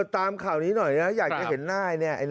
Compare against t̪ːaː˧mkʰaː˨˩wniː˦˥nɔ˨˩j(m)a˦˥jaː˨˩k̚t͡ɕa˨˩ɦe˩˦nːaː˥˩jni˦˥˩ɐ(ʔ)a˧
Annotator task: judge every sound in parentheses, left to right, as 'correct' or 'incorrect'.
incorrect: n, correct

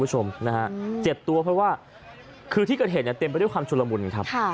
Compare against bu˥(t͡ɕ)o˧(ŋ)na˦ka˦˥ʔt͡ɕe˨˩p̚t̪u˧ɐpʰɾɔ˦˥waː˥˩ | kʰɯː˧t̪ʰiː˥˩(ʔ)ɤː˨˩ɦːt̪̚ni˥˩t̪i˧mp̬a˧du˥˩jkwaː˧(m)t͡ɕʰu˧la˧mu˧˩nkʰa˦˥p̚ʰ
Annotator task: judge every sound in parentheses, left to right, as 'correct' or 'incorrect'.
incorrect: t͡ɕʰ, incorrect: m, incorrect: k, correct

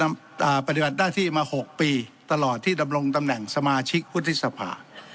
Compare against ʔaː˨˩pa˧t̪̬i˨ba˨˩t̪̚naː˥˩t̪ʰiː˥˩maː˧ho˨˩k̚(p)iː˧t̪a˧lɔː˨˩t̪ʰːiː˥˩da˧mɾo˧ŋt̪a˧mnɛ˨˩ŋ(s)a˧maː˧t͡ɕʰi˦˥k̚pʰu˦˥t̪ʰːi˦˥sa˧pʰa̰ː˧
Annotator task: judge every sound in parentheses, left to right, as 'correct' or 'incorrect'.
correct, correct

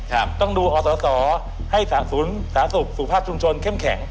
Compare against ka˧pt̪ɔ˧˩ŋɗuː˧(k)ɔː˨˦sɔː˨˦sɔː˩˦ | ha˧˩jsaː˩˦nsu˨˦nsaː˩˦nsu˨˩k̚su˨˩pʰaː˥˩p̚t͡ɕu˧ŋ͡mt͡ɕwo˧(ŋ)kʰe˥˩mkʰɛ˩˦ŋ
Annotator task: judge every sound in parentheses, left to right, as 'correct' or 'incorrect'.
incorrect: ʔ, incorrect: n

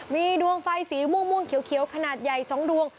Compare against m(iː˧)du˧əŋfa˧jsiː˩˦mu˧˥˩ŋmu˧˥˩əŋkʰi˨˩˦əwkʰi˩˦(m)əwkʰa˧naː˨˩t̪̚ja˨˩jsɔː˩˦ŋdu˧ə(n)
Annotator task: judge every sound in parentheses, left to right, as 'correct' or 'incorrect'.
correct, incorrect: none, incorrect: ŋ

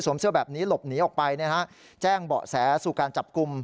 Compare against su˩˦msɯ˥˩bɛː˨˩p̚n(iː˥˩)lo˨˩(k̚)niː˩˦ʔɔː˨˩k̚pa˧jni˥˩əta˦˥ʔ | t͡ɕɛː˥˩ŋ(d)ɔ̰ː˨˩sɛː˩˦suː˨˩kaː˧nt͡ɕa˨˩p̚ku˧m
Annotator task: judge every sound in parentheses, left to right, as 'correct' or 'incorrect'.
incorrect: iː˦˥, incorrect: p̚, incorrect: b

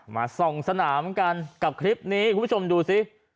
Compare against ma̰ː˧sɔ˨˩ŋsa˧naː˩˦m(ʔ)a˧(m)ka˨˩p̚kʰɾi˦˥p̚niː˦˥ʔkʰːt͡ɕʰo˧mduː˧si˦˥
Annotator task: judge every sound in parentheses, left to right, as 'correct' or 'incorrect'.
incorrect: k, incorrect: n

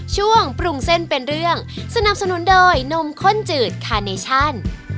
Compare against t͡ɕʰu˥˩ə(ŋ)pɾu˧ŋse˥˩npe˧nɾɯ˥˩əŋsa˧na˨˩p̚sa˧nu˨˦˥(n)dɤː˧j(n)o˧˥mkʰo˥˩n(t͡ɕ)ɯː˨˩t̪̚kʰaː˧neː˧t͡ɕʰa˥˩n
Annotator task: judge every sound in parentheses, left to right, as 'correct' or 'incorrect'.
correct, correct, correct, correct

